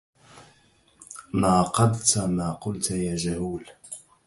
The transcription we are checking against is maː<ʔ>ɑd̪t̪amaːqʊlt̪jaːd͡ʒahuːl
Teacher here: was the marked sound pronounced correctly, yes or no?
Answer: no